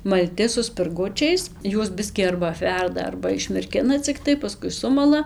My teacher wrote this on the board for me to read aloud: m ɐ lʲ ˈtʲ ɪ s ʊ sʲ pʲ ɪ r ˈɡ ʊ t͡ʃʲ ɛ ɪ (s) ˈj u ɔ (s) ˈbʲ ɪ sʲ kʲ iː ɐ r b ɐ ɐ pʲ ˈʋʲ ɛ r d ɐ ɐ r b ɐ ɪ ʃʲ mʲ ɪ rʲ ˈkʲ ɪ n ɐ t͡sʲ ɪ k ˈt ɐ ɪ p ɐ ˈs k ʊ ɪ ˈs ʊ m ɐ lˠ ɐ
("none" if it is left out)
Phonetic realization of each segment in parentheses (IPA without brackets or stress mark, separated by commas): s, s